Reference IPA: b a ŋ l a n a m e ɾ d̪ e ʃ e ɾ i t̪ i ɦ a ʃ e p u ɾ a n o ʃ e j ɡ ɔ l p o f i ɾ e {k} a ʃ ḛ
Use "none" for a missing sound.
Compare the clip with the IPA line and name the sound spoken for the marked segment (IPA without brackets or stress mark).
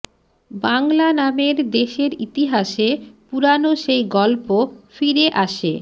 ʔ